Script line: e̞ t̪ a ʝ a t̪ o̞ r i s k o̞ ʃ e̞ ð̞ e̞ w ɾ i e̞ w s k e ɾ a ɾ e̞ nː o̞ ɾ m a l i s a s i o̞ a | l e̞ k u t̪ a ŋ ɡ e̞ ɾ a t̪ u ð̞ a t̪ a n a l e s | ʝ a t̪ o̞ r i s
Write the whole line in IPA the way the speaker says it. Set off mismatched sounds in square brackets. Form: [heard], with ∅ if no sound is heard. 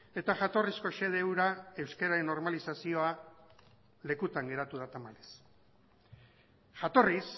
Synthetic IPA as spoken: e̞ t̪ a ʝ a t̪ o̞ r i s k o̞ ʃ e̞ ð̞ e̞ w ɾ [a] e̞ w s k e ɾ a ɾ e̞ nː o̞ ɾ m a l i s a s i o̞ a | l e̞ k u t̪ a ŋ ɡ e̞ ɾ a t̪ u ð̞ a t̪ a [m] a l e s | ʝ a t̪ o̞ r i s

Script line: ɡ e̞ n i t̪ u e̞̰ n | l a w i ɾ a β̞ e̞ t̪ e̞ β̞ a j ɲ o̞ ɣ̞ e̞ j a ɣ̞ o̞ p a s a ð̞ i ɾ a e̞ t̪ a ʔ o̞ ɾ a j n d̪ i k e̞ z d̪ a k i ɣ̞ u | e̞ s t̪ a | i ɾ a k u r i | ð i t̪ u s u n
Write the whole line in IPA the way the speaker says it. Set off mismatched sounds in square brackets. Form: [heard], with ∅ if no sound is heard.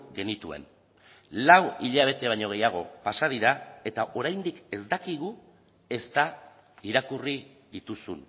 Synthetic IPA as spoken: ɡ e̞ n i t̪ u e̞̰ n | l a w i [ʎ] a β̞ e̞ t̪ e̞ β̞ a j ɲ o̞ ɣ̞ e̞ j a ɣ̞ o̞ p a s a ð̞ i ɾ a e̞ t̪ a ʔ o̞ ɾ a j n d̪ i k e̞ z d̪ a k i ɣ̞ u | e̞ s t̪ a | i ɾ a k u r i | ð i t̪ u s u n

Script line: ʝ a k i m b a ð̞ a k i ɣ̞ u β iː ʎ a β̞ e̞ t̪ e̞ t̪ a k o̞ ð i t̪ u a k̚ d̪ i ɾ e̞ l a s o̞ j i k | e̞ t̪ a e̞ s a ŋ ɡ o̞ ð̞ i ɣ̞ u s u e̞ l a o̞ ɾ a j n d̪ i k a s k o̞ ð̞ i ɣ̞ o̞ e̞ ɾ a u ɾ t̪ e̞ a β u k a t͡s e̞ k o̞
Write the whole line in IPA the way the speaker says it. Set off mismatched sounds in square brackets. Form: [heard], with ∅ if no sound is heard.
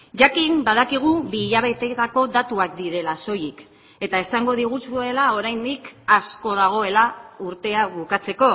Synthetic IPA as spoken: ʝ a k i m b a ð̞ a k i ɣ̞ u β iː ʎ a β̞ e̞ t̪ e̞ t̪ a k o̞ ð [a] t̪ u a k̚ d̪ i ɾ e̞ l a s o̞ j i k | e̞ t̪ a e̞ s a ŋ ɡ o̞ ð̞ i ɣ̞ u s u e̞ l a o̞ ɾ a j n d̪ i k a s k o̞ ð̞ [a] ɣ̞ o̞ e̞ [l] a u ɾ t̪ e̞ a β u k a t͡s e̞ k o̞

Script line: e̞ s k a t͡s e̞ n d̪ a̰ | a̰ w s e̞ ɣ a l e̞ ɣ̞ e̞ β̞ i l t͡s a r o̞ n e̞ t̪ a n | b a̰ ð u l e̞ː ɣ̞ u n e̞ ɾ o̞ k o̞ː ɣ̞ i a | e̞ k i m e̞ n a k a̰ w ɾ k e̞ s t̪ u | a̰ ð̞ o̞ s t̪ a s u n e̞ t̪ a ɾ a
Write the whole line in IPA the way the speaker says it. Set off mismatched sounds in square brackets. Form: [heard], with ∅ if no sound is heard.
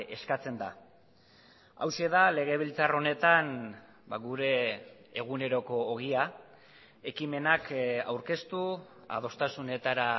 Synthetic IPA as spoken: e̞ s k a t͡s e̞ n d̪ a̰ | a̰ w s e̞ [ð] a l e̞ ɣ̞ e̞ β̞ i l t͡s a r o̞ n e̞ t̪ a n | b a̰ [ɣ] u [ɾ] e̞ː ɣ̞ u n e̞ ɾ o̞ k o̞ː ɣ̞ i a | e̞ k i m e̞ n a k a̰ w ɾ k e̞ s t̪ u | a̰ ð̞ o̞ s t̪ a s u n e̞ t̪ a ɾ a

